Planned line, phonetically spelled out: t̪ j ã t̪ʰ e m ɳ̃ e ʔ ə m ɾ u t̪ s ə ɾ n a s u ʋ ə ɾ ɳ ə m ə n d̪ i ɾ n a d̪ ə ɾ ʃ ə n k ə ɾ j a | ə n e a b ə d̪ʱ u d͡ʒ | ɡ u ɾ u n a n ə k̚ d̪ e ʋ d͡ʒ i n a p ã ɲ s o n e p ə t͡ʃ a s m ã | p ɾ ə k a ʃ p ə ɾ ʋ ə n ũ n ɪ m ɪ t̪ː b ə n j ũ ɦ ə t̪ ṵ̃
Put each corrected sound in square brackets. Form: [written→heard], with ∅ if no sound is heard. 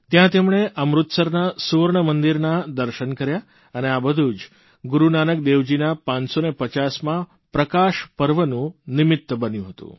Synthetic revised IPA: t̪ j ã [t̪ʰ→t̪] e m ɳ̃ e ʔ ə m ɾ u t̪ s ə ɾ n a s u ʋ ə ɾ ɳ ə m ə n d̪ i ɾ n a d̪ ə ɾ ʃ ə n k ə ɾ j a | ə n e a b ə d̪ʱ u d͡ʒ | ɡ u ɾ u n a n ə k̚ d̪ e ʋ d͡ʒ i n a p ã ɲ s o n e p ə t͡ʃ a s m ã | p ɾ ə k a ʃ p ə ɾ ʋ ə n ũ n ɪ m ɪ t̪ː b ə n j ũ ɦ ə t̪ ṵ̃